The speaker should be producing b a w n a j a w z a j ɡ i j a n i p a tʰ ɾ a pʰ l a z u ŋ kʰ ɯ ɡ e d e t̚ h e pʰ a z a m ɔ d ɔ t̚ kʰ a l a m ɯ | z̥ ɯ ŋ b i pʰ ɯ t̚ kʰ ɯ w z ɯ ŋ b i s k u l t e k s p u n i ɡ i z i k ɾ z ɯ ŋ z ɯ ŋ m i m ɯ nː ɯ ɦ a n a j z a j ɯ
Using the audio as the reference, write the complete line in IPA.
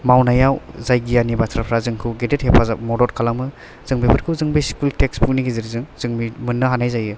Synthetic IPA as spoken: m a w n a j a w z a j ɡ i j a n i b a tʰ ɾ a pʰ ɾ a z ɯ ŋ kʰ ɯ ɡ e d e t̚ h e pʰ a z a m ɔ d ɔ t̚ kʰ a l a m ɯ | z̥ ɯ ŋ b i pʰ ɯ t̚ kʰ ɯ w z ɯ ŋ b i s k u l t e k s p u n i ɡ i z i ɾ z ɯ ŋ z ɯ ŋ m i m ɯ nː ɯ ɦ a n a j z a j ɯ